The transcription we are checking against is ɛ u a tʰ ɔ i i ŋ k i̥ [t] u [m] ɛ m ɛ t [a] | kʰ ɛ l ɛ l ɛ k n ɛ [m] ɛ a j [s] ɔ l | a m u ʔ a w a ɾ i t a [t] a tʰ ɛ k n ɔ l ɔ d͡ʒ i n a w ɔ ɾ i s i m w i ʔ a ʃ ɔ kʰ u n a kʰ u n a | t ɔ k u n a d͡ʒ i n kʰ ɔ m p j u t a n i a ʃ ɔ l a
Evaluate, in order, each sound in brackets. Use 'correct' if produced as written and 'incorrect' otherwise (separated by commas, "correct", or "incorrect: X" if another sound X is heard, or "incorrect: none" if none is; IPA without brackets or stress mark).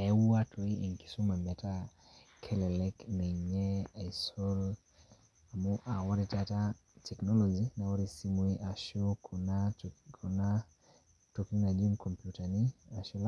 incorrect: s, correct, correct, incorrect: ɲ, correct, correct